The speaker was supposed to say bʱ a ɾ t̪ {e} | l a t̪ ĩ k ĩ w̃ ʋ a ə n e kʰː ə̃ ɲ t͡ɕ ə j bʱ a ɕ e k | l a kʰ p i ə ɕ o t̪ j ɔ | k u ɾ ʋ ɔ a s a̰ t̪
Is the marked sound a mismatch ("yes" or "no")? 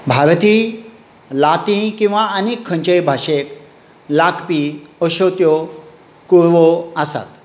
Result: yes